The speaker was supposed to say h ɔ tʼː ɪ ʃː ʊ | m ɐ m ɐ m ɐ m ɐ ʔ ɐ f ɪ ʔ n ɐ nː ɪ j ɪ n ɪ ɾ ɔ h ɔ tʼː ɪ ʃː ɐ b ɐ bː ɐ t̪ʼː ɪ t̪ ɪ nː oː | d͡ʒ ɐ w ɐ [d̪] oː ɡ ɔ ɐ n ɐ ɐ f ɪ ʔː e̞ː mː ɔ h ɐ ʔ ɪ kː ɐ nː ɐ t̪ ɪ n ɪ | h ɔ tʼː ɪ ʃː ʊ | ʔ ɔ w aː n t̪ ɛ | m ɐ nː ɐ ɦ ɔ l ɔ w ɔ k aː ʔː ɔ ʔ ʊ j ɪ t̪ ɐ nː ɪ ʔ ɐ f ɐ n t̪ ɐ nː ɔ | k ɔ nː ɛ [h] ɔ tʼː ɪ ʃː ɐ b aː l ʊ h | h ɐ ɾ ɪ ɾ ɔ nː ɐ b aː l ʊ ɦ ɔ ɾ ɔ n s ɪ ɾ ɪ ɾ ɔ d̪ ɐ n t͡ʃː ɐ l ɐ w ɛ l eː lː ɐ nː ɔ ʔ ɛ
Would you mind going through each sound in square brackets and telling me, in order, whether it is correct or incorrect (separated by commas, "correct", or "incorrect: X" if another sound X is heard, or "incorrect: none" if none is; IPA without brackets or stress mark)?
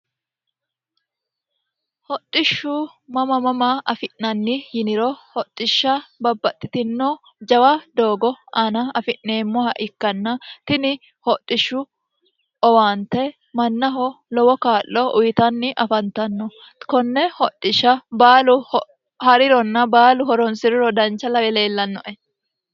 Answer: correct, correct